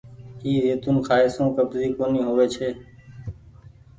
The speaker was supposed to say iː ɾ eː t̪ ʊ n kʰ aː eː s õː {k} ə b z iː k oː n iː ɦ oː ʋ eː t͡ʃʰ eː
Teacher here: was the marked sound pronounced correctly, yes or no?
yes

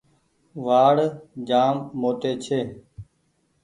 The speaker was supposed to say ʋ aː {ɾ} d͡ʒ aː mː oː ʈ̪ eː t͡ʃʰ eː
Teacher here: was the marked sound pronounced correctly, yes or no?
no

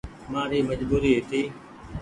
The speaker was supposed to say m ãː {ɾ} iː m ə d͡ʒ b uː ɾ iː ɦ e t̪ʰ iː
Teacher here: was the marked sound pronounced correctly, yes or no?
yes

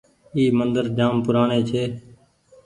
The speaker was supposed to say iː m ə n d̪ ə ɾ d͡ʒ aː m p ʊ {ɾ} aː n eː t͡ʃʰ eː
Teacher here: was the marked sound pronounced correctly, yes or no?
yes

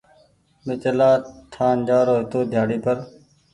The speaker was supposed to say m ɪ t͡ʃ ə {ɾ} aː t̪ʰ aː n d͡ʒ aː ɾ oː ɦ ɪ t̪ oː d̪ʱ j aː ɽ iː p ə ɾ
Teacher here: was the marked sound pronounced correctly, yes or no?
no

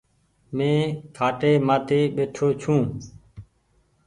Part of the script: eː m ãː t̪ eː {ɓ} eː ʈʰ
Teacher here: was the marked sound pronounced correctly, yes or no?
yes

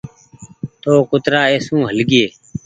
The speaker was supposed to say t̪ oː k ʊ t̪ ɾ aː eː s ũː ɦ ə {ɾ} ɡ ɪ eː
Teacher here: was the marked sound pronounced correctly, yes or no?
no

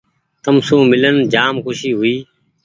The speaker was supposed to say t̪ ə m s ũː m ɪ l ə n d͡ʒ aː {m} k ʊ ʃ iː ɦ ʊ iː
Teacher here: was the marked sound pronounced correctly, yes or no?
yes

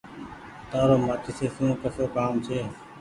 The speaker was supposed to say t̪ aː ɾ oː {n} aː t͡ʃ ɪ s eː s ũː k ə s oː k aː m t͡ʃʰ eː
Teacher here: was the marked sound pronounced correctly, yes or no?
no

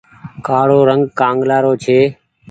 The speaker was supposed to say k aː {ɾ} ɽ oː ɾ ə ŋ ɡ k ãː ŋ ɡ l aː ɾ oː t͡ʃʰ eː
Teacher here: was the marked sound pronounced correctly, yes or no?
no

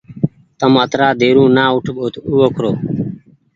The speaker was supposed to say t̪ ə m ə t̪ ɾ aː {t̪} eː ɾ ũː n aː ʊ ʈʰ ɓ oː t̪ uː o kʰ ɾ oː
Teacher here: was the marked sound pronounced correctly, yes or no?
no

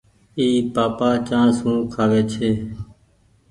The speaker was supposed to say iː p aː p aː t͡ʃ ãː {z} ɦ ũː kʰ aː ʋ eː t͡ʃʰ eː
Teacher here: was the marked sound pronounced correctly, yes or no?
no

